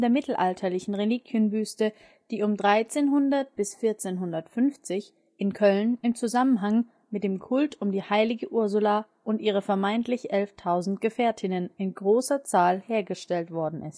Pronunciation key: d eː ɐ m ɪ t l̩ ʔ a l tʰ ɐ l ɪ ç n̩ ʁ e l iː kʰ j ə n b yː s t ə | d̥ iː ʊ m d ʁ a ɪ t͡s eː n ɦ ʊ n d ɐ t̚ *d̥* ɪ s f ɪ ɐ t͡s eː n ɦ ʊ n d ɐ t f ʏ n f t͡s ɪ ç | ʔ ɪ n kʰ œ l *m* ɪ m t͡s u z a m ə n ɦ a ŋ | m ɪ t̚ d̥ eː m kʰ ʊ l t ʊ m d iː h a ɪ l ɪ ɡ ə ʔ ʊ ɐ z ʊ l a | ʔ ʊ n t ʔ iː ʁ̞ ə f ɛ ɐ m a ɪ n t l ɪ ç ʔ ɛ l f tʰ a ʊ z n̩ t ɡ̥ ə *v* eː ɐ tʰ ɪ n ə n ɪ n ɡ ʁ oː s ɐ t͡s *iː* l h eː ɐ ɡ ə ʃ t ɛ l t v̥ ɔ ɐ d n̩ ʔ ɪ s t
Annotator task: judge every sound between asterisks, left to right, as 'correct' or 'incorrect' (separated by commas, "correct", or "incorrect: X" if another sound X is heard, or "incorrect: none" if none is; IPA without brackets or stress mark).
incorrect: b̥, incorrect: n, incorrect: f, incorrect: aː